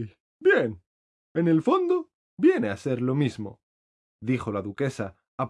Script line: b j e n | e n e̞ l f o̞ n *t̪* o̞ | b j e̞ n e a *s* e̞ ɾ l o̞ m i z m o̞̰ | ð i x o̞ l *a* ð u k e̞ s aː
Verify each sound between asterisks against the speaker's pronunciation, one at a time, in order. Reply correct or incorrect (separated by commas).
incorrect, correct, correct